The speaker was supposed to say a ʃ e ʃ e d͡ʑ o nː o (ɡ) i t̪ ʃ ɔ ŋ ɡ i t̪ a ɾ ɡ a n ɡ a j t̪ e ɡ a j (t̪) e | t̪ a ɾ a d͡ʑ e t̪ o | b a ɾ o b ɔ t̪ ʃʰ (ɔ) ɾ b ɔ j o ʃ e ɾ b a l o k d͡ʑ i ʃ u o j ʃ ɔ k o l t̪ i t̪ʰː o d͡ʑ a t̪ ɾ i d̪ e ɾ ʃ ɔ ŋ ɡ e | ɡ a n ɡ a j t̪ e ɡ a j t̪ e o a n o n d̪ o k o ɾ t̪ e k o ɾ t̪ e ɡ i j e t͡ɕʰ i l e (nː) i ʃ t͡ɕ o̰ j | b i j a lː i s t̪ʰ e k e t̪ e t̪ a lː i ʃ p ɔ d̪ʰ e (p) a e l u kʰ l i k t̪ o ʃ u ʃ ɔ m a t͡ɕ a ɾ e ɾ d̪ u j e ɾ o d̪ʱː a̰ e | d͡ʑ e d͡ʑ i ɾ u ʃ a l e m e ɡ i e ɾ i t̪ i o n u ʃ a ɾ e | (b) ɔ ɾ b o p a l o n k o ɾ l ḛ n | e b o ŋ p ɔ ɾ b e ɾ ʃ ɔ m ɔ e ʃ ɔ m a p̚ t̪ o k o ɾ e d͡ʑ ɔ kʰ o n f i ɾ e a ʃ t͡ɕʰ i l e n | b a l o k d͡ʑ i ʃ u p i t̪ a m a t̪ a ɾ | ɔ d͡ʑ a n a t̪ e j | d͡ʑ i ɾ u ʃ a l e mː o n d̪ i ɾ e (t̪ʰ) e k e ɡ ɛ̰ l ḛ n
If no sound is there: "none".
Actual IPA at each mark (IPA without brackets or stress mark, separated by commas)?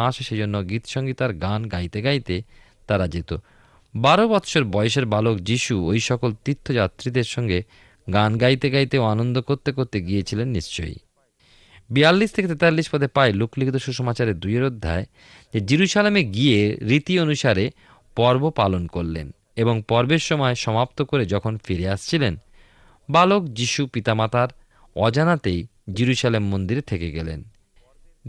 ɡ, t̪, o, nː, p, p, t̪ʰ